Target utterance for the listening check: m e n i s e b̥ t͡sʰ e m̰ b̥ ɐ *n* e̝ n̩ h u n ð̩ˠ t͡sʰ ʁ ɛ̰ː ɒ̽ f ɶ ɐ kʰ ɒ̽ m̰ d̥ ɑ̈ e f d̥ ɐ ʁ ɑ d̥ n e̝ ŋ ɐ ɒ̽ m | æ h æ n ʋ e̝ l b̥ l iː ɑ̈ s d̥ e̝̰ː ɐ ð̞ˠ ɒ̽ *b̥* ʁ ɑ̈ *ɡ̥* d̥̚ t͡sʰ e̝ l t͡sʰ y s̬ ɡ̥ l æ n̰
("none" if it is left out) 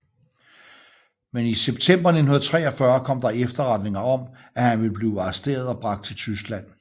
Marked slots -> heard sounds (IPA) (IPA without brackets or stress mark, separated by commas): n, b̥, ɡ̥